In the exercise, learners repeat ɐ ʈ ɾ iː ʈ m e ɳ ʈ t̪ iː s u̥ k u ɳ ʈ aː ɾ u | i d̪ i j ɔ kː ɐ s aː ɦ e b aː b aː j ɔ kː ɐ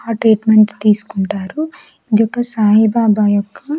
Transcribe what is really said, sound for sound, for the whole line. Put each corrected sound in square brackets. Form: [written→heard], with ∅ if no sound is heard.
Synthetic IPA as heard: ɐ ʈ ɾ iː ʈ m e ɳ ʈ t̪ iː s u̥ k u ɳ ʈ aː ɾ u | i d̪ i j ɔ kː ɐ s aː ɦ [e→i] b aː b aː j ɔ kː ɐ

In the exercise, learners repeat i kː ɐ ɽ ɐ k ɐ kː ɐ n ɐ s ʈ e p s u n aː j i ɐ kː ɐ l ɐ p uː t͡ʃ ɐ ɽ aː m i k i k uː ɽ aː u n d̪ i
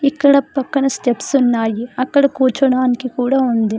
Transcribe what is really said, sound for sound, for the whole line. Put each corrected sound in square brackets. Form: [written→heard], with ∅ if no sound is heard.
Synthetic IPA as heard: i kː ɐ ɽ ɐ [k→p] ɐ kː ɐ n ɐ s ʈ e p s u [n→nː] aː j i ɐ kː ɐ [l→ɽ] ɐ [p→k] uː t͡ʃ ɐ ɽ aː [m→n] i k i k uː ɽ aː u n d̪ i

